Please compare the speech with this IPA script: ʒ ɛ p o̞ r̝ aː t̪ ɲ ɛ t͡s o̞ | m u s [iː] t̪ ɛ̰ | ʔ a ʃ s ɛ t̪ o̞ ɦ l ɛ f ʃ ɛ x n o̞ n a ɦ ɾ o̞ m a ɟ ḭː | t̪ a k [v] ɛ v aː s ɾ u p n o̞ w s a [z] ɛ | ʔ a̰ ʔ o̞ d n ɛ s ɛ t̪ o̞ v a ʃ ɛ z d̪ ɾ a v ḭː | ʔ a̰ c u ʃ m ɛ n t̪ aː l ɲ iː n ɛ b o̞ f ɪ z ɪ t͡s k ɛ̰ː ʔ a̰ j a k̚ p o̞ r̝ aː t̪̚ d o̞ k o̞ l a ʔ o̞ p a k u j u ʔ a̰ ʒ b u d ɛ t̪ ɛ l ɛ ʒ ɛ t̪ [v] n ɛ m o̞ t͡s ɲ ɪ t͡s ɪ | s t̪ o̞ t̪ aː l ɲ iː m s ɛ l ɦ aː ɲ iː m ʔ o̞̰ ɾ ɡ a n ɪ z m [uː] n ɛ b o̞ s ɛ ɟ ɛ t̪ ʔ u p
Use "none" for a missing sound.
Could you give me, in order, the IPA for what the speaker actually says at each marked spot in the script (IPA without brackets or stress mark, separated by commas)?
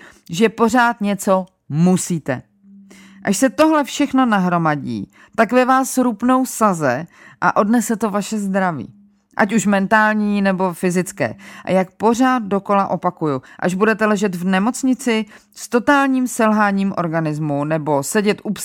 iː, v, z, v, u